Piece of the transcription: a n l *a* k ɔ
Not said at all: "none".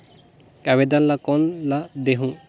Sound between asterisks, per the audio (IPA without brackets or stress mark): a